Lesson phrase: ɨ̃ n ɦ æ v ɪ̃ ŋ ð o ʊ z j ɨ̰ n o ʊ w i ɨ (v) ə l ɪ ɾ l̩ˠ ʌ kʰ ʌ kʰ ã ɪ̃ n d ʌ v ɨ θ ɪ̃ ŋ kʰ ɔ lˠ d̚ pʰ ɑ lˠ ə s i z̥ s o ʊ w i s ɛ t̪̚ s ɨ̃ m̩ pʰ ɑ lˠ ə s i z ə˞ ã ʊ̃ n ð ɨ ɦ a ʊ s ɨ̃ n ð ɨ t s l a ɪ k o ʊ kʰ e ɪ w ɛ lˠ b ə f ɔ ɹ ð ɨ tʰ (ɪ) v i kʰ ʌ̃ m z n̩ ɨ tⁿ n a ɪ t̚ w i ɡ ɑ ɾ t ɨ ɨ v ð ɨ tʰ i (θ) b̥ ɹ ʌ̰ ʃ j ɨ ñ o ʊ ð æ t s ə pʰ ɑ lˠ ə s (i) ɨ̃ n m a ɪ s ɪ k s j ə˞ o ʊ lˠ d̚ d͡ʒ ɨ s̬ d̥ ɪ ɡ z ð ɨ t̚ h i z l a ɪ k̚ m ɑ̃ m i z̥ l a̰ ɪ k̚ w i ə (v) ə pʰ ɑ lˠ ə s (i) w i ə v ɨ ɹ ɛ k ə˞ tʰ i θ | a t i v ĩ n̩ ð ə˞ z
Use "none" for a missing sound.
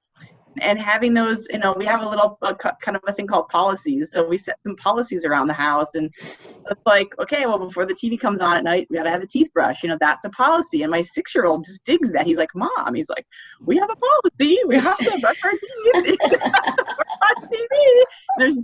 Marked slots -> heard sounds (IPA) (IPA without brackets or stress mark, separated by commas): v, i, θ, i, v, i